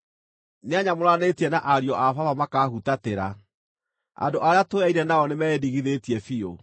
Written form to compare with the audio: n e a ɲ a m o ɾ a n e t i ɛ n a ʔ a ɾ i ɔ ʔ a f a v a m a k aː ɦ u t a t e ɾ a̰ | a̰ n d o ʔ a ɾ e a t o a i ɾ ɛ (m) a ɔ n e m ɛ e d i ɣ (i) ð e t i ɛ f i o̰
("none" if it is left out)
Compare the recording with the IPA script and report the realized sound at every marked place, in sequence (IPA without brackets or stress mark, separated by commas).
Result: n, i